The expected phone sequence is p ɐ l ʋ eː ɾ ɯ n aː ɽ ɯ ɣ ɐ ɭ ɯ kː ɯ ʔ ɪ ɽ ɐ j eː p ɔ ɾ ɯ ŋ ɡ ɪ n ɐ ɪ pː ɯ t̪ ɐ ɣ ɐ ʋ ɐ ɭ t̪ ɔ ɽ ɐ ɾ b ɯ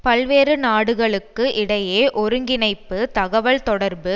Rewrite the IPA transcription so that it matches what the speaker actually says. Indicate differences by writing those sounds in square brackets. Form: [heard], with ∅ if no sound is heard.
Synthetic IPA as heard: p ɐ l ʋ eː ɾ ɯ n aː ɽ ɯ ɣ ɐ ɭ ɯ kː ɯ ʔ ɪ ɽ ɐ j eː [ʔ] ɔ ɾ ɯ ŋ ɡ ɪ n ɐ ɪ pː ɯ t̪ ɐ ɣ ɐ ʋ ɐ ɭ t̪ ɔ ɽ ɐ ɾ b ɯ